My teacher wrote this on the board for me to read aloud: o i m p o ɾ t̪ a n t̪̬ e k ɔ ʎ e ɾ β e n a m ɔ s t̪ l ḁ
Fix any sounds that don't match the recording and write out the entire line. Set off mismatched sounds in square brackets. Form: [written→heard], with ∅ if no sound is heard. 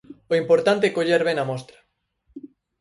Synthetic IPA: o i m p o ɾ t̪ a n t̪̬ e k [ɔ→o] ʎ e ɾ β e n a m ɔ s t̪ [l→ɾ] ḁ

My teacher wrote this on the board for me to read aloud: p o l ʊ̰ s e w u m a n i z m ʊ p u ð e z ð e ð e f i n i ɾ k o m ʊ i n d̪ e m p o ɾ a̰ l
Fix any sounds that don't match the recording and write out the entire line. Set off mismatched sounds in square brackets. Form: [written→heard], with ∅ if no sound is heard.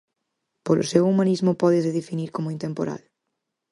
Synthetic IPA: p o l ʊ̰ s e w u m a n i z m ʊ p [u→ɔ] ð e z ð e ð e f i n i ɾ k o m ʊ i n [d̪→t̪] e m p o ɾ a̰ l

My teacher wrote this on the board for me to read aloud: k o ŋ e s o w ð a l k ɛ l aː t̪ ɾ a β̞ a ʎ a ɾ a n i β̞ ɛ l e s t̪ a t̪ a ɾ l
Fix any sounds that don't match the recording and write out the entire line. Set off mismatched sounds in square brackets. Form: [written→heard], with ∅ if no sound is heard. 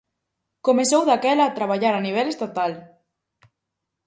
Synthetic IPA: k o [ŋ→m] e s o w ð a [l→∅] k ɛ l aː t̪ ɾ a β̞ a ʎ a ɾ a n i β̞ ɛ l e s t̪ a t̪ a [ɾ→∅] l

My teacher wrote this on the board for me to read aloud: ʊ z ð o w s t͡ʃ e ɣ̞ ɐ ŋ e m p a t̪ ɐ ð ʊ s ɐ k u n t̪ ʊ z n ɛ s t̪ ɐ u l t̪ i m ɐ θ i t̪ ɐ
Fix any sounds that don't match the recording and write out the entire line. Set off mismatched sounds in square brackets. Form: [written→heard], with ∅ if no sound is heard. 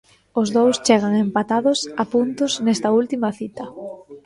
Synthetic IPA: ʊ z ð o w s t͡ʃ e ɣ̞ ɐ ŋ e m p a t̪ [ɐ→a] ð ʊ s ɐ [k→p] u n t̪ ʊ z n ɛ s t̪ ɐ u l t̪ i m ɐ θ i t̪ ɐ

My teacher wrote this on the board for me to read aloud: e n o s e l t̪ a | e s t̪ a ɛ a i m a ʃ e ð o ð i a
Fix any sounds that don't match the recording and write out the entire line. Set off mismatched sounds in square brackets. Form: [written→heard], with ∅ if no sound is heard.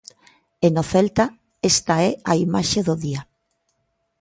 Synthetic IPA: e n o [s→θ] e l t̪ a | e s t̪ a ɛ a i m a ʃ e ð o ð i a

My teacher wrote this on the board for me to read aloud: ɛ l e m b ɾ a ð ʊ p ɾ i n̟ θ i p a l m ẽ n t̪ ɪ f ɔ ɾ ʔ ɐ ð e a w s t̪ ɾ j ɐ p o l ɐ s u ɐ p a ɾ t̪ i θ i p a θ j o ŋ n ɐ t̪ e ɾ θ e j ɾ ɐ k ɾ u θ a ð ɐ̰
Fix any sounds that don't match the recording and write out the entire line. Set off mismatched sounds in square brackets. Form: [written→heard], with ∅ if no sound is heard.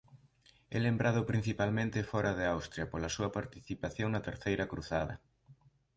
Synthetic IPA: ɛ l e m b ɾ a ð ʊ p ɾ i n̟ θ i p a l m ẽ n t̪ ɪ f ɔ ɾ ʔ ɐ ð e a w s t̪ ɾ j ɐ p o l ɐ s u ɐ p a ɾ t̪ i θ i p a θ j o ŋ n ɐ t̪ e ɾ θ e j ɾ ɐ k ɾ u θ a ð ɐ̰

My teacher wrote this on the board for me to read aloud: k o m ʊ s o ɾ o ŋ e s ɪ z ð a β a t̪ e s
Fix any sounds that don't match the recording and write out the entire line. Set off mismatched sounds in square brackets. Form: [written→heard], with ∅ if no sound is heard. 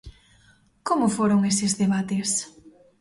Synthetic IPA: k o m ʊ [s→f] o ɾ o ŋ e s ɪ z ð [a→e] β a t̪ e s

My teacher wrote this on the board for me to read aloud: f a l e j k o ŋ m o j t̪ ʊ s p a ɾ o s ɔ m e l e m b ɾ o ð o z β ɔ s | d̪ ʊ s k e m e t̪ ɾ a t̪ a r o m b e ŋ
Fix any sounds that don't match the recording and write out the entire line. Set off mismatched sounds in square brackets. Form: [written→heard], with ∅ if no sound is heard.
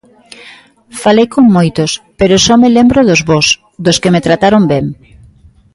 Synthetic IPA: f a l e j k o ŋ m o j t̪ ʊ s p [a→e] ɾ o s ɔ m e l e m b ɾ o ð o z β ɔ s | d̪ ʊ s k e m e t̪ ɾ a t̪ a [r→ɾ] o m b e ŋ

